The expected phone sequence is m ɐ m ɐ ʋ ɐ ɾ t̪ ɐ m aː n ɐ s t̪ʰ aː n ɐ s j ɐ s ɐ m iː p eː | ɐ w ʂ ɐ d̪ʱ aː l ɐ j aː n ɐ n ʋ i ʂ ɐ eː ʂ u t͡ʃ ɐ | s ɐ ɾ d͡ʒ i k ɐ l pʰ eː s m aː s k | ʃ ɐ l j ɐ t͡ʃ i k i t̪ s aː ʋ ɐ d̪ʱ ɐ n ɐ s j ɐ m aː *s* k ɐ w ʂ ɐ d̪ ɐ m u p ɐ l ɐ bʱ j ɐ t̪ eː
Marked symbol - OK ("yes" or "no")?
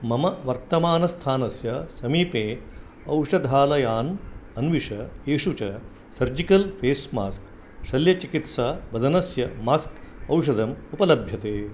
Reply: yes